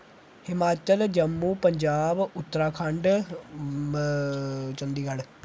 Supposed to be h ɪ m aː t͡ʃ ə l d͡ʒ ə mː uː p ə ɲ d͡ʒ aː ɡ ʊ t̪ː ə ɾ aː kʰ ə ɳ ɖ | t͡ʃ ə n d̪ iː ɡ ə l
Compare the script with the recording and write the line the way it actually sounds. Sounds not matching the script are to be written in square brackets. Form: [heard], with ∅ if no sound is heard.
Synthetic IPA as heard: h ɪ m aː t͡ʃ ə l d͡ʒ ə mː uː p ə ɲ d͡ʒ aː [b] ʊ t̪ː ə ɾ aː kʰ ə ɳ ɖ | t͡ʃ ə n d̪ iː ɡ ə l

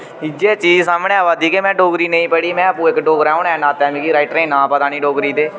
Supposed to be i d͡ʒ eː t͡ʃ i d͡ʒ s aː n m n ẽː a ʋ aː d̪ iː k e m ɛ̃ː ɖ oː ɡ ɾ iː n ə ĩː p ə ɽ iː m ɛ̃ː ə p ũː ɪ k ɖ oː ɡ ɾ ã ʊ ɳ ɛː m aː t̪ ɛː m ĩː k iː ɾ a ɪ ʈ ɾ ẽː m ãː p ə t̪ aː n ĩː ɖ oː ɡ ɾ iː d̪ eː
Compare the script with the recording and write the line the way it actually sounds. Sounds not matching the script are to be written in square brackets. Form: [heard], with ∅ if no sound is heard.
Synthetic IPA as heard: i d͡ʒ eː t͡ʃ [iː] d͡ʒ s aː [∅] m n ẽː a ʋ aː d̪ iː k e m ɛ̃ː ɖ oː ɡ ɾ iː n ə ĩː p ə ɽ iː m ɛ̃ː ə p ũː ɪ k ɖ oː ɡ ɾ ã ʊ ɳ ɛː [n] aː t̪ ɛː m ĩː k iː ɾ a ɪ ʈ ɾ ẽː [n] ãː p ə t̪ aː n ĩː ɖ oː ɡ ɾ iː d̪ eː

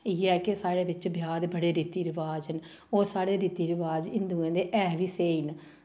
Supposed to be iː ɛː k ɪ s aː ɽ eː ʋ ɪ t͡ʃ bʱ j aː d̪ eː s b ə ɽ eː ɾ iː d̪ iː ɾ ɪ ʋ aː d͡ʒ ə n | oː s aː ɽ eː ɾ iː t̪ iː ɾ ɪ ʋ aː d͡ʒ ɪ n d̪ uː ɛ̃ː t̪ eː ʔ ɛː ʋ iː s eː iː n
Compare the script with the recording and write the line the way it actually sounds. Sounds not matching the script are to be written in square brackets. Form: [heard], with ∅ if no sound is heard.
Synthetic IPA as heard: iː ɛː k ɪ s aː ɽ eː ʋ ɪ t͡ʃ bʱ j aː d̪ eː [∅] b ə ɽ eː ɾ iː [t̪] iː ɾ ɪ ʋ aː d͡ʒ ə n | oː s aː ɽ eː ɾ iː t̪ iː ɾ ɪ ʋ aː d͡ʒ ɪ n d̪ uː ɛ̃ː [d̪] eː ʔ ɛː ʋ iː s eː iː n

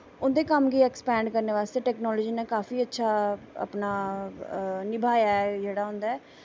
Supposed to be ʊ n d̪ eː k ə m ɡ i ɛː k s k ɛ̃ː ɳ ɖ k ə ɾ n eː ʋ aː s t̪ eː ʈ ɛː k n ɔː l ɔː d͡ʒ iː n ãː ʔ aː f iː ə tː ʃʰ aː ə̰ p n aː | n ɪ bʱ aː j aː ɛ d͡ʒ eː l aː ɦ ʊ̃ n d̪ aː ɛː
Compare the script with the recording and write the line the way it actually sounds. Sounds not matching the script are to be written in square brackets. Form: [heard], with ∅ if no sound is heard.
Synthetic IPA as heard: ʊ n d̪ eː k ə m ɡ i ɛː k s [p] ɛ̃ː ɳ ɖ k ə ɾ n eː ʋ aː s t̪ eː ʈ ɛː k n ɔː l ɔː d͡ʒ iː n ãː [k] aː f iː ə tː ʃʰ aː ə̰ p n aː | n ɪ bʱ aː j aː ɛ d͡ʒ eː [ɽ] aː ɦ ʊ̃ n d̪ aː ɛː

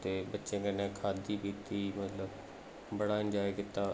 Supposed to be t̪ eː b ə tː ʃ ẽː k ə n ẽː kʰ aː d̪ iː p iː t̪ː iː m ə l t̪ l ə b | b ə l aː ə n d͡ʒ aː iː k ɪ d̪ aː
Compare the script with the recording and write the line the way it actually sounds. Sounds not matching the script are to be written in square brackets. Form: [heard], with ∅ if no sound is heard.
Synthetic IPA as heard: t̪ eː b ə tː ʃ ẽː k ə n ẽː kʰ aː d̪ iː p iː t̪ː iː m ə [∅] t̪ l ə b | b ə [ɽ] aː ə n d͡ʒ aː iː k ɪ [t̪] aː

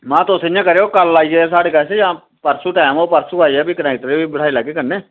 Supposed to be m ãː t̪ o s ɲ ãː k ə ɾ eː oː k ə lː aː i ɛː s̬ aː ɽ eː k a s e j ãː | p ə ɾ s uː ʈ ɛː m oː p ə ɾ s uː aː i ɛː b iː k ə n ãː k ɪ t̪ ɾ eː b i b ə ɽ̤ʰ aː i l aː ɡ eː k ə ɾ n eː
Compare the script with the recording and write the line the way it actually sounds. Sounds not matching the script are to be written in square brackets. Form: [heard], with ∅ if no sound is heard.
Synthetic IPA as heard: m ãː t̪ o s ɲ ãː k ə ɾ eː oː k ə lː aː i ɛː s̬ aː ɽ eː k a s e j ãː | p ə ɾ s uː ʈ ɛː m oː p ə ɾ s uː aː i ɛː b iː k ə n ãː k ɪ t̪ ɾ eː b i b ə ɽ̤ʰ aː i l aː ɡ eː k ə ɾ n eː

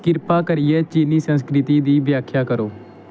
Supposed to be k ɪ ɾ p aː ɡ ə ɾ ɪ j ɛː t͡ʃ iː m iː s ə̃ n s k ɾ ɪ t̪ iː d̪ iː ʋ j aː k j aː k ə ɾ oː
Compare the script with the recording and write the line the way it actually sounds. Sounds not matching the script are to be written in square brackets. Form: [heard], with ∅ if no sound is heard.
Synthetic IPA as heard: k ɪ ɾ p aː [k] ə ɾ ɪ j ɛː t͡ʃ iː [n] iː s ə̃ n s k ɾ ɪ t̪ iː d̪ iː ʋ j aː [kʰ] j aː k ə ɾ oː

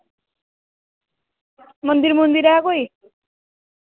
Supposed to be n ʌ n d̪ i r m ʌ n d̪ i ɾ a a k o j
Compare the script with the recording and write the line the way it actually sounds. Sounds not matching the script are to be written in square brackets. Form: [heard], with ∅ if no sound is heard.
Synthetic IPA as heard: [m] ʌ n d̪ i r m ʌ n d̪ i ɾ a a k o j

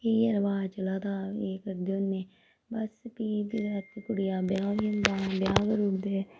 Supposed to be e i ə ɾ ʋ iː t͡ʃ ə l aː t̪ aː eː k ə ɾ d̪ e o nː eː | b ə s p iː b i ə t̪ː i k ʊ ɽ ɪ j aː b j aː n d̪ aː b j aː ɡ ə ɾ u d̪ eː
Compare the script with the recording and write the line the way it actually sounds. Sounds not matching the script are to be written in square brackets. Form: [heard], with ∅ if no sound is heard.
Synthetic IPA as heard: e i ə ɾ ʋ [aː] t͡ʃ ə l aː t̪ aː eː k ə ɾ d̪ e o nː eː | b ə s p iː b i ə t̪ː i k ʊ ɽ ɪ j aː b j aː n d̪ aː b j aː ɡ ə ɾ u d̪ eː

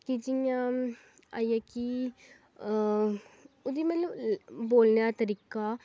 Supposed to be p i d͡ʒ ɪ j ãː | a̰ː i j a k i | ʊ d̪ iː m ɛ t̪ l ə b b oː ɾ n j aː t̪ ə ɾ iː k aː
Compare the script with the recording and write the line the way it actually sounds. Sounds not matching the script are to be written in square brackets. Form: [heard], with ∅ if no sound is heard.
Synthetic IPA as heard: [k] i d͡ʒ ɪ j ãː | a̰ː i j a k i | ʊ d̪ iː m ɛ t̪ l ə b b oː [l] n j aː t̪ ə ɾ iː k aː

